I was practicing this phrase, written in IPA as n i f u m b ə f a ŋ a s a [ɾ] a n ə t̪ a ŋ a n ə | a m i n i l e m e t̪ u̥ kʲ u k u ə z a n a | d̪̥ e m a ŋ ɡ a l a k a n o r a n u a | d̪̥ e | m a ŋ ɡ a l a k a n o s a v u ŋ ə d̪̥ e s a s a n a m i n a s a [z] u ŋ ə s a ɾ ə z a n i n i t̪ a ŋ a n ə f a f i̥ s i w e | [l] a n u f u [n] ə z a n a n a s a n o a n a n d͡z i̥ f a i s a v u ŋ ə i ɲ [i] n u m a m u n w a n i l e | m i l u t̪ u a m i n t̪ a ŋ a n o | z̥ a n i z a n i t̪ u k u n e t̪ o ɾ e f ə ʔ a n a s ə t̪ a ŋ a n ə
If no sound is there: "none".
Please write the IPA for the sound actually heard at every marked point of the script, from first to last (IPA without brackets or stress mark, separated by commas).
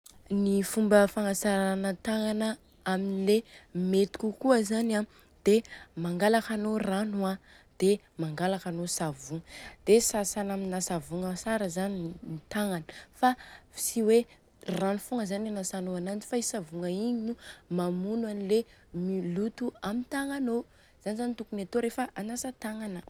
ɾ, v, r, ŋ, i